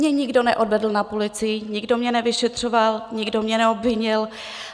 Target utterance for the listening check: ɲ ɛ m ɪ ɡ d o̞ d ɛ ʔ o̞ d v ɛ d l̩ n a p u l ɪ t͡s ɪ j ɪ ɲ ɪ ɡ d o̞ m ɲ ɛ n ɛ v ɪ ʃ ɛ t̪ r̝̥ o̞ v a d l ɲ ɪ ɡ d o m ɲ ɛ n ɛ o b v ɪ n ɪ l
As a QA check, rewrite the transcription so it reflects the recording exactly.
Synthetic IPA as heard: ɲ ɛ ɲ ɪ ɡ d o̞ n ɛ ʔ o̞ d v ɛ d l̩ n a p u l ɪ t͡s ɪ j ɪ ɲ ɪ ɡ d o̞ m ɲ ɛ n ɛ v ɪ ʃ ɛ t̪ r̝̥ o̞ v a l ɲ ɪ ɡ d o m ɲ ɛ n ɛ o b v ɪ ɲ ɪ l

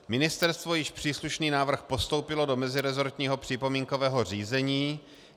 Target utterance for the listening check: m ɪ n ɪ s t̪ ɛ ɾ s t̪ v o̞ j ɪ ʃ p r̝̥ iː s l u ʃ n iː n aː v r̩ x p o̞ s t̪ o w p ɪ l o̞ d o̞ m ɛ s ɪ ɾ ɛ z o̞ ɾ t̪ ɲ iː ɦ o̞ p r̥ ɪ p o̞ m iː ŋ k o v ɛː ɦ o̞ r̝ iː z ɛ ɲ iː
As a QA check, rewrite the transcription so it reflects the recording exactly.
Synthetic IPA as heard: m ɪ n ɪ s t̪ ɛ ɾ s t̪ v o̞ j ɪ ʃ p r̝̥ iː s l u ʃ n iː n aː v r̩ x p o̞ s t̪ o w p ɪ l o̞ d o̞ m ɛ z ɪ ɾ ɛ z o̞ ɾ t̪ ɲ iː ɦ o̞ p r̥ ɪ p o̞ m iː ŋ k o v ɛː ɦ o̞ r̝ iː z ɛ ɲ iː

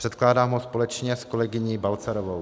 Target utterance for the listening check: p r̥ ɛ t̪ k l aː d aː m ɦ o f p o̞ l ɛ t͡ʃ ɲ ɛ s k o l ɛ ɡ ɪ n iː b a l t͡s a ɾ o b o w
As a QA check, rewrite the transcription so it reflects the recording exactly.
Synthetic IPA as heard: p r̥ ɛ t̪ k l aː d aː m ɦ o s p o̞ l ɛ t͡ʃ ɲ ɛ s k o l ɛ ɡ ɪ ɲ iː b a l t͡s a ɾ o v o w

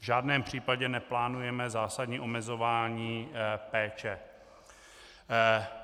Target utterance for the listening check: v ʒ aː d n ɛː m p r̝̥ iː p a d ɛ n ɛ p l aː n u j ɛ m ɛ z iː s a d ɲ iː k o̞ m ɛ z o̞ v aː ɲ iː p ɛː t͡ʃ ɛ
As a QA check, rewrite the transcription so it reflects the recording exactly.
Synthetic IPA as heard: v ʒ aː d n ɛː m p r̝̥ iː p a ɟ ɛ n ɛ p l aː n u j ɛ m ɛ z aː s a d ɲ iː ʔ o̞ m ɛ z o̞ v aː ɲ iː p ɛː t͡ʃ ɛ

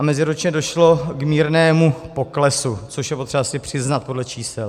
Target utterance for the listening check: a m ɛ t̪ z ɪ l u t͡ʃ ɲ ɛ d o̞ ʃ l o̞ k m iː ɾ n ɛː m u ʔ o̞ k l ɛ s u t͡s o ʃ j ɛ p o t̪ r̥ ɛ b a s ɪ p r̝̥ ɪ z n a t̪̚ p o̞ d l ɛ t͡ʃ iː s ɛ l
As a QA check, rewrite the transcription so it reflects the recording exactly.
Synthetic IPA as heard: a m ɛ z ɪ ɾ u t͡ʃ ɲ ɛ d o̞ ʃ l o̞ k m iː ɾ n ɛː m u p o̞ k l ɛ s u t͡s o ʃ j ɛ p o t̪ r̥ ɛ b a s ɪ p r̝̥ ɪ z n a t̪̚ p o̞ d l ɛ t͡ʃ iː s ɛ l

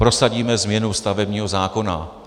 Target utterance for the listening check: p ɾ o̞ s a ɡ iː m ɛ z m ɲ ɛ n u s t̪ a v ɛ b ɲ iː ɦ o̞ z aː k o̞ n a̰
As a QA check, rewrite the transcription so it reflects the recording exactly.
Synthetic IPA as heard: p ɾ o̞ s a ɟ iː m ɛ z m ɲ ɛ n u s t̪ a v ɛ b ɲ iː ɦ o̞ z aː k o̞ n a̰

